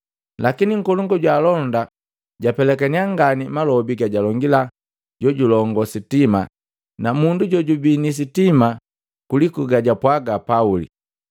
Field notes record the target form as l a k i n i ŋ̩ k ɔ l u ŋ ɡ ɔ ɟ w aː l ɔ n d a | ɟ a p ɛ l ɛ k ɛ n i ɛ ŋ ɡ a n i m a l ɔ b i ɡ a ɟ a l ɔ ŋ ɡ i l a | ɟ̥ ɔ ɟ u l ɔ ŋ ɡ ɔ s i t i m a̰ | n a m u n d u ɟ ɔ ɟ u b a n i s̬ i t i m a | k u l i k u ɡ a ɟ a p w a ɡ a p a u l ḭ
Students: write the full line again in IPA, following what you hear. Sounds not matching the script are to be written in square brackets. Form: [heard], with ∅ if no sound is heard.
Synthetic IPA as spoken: l a k i n i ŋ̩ k ɔ l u ŋ ɡ ɔ ɟ w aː l ɔ n d a | ɟ a p ɛ l ɛ k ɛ n i [a] ŋ ɡ a n i m a l ɔ b i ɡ a ɟ a l ɔ ŋ ɡ i l a | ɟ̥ ɔ ɟ u l ɔ ŋ ɡ ɔ s i t i m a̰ | n a m u n d u ɟ ɔ ɟ u b [i] n i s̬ i t i m a | k u l i k u ɡ a ɟ a p w a ɡ a p a u l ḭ